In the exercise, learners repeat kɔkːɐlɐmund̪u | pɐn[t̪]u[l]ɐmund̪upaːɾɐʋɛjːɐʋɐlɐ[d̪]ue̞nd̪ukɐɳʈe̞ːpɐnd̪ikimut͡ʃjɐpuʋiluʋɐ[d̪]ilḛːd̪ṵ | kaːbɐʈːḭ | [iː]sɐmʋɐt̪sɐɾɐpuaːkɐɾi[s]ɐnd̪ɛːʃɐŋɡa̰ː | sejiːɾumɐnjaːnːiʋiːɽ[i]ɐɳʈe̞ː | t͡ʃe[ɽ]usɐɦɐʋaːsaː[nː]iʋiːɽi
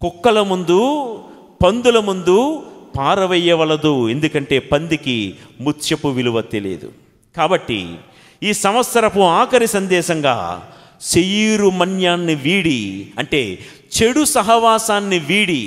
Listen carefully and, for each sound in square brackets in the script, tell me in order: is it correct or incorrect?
incorrect, correct, correct, incorrect, correct, correct, correct, correct, correct

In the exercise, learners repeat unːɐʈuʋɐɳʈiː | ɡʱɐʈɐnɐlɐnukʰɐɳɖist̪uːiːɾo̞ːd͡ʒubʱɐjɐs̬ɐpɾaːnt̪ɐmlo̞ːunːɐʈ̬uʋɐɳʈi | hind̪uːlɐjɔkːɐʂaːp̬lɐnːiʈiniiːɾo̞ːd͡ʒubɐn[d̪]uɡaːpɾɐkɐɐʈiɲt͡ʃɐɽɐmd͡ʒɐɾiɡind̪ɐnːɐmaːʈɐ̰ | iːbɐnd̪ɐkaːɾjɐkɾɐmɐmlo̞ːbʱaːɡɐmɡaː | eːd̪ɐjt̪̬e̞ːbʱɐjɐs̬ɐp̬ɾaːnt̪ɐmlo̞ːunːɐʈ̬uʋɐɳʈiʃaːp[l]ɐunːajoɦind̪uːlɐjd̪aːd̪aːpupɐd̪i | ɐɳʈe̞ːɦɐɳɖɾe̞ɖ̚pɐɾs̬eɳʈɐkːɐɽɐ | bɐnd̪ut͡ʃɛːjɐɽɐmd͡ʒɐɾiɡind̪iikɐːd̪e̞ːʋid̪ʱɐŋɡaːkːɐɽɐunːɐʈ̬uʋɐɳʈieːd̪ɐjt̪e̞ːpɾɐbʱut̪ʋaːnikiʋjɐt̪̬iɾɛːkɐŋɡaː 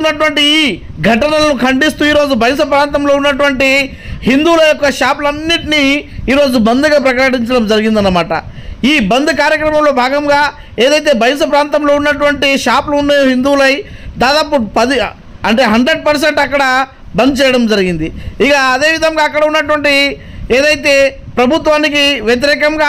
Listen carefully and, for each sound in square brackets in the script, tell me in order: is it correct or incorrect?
correct, correct

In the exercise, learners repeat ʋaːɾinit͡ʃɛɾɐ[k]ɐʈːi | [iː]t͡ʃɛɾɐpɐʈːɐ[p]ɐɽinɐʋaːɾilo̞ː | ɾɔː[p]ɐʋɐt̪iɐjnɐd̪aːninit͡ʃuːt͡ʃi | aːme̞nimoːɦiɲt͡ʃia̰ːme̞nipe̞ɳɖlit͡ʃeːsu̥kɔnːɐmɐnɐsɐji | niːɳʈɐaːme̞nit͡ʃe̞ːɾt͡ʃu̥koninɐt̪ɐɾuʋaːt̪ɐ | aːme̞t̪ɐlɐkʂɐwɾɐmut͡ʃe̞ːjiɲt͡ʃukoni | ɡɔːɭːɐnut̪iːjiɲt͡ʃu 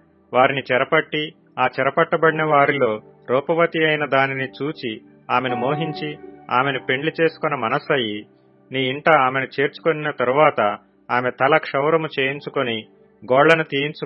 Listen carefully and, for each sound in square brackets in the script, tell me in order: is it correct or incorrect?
incorrect, incorrect, incorrect, correct

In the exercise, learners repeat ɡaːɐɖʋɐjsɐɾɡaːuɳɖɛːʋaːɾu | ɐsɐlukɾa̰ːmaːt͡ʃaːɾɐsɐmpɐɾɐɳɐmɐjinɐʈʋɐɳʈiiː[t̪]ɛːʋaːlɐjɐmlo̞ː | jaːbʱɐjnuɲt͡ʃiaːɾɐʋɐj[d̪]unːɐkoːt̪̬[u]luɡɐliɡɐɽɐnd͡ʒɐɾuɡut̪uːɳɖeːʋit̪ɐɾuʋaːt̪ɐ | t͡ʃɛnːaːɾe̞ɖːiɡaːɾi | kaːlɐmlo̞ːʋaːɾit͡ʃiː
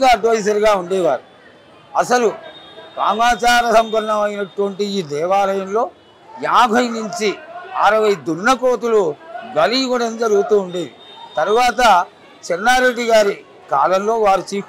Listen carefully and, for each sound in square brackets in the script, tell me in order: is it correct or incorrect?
incorrect, correct, correct

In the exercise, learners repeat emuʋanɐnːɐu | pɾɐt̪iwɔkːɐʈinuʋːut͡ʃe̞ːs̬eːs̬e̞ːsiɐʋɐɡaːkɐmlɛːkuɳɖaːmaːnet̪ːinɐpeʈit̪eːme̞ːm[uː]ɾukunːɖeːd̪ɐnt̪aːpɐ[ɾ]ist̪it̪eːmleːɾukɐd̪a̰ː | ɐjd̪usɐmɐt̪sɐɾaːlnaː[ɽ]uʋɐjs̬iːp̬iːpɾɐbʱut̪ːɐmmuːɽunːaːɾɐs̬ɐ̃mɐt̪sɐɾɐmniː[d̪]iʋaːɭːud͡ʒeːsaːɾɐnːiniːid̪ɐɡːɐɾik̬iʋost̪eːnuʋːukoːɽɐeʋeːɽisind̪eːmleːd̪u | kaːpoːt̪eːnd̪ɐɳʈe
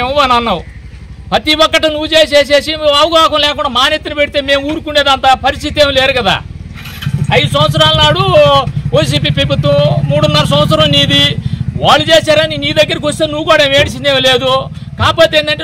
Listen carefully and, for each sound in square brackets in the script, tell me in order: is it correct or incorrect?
correct, correct, correct, correct

